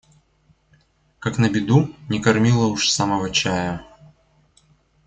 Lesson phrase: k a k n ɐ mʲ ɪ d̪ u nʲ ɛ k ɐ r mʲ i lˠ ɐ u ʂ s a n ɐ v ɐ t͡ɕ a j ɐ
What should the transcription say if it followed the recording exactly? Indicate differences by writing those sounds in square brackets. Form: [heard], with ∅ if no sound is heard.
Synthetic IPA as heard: k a k n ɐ [bʲ] ɪ d̪ u nʲ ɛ k ɐ r mʲ i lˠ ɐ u ʂ s a [m] ɐ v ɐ t͡ɕ a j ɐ